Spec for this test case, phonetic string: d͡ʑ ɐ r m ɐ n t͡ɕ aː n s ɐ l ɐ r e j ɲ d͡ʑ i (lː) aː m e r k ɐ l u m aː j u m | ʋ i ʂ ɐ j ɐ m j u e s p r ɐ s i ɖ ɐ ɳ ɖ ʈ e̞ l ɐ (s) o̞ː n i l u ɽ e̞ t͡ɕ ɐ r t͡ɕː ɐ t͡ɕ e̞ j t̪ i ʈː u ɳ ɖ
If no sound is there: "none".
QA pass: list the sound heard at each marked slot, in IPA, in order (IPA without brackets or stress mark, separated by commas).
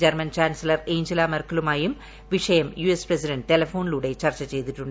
l, f